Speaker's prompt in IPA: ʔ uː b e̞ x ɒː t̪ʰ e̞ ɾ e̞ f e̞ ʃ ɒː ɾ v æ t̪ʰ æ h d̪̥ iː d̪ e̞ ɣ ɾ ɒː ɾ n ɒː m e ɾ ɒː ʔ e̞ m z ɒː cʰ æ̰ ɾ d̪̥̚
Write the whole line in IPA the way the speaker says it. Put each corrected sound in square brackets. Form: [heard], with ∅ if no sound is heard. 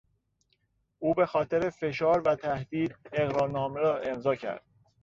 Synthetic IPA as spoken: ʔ uː b e̞ x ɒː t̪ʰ e̞ ɾ e̞ f e̞ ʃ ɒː ɾ v æ t̪ʰ æ h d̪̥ iː d̪ e̞ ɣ ɾ ɒː ɾ n ɒː m e ɾ ɒː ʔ e̞ m z ɒː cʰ æ̰ ɾ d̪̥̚